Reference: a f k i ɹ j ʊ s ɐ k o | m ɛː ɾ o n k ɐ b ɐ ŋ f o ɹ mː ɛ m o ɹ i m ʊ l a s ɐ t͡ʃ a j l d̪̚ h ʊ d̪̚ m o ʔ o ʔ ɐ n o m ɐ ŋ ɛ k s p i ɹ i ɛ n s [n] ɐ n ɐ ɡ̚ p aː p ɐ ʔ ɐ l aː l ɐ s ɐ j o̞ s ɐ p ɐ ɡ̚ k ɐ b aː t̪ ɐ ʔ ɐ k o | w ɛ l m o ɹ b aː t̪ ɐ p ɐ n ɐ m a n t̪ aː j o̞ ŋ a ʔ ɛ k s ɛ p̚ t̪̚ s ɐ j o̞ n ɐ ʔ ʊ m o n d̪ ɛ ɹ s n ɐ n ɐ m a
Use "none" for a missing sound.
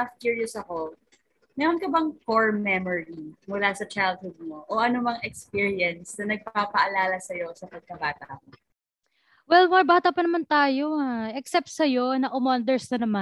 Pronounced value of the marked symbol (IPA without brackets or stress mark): n